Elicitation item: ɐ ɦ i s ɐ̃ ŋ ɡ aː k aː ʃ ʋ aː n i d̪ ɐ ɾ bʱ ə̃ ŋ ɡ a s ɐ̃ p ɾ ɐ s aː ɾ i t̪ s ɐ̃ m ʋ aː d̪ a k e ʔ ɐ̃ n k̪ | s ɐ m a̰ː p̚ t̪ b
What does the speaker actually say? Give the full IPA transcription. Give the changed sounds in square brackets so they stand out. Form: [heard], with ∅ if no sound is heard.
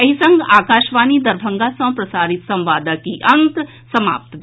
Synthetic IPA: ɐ ɦ i s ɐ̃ ŋ ɡ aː k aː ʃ ʋ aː n i d̪ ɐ ɾ bʱ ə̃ ŋ ɡ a s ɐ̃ p ɾ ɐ s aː ɾ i t̪ s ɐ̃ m ʋ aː d̪ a k [i] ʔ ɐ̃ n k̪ | s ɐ m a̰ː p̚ t̪ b